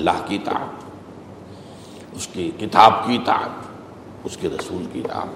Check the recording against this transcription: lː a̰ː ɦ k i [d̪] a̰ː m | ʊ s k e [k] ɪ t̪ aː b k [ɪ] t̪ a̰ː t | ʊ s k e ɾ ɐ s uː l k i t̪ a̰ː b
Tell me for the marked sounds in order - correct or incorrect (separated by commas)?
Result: incorrect, correct, incorrect